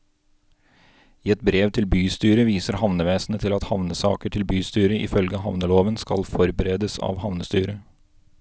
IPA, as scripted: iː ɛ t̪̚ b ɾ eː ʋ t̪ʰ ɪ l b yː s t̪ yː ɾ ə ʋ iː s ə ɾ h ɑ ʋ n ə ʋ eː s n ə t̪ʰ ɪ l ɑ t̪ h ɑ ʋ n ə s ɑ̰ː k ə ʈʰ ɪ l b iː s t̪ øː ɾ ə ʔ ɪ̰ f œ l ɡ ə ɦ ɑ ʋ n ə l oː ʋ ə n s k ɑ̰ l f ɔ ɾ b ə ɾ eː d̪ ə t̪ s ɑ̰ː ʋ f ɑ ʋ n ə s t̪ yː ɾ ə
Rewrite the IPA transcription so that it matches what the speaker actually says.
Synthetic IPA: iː ɛ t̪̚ b ɾ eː ʋ t̪ʰ ɪ l b yː s t̪ yː ɾ ə ʋ iː s ə ɾ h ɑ ʋ n ə ʋ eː s n ə t̪ʰ ɪ l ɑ t̪ h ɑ ʋ n ə s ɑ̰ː k ə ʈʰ ɪ l b yː s t̪ yː ɾ ə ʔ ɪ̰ f œ l ɡ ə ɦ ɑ ʋ n ə l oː ʋ ə n s k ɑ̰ l f ɔ ɾ b ə ɾ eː d̪ ə s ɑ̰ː ʋ h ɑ ʋ n ə s t̪ yː ɾ ə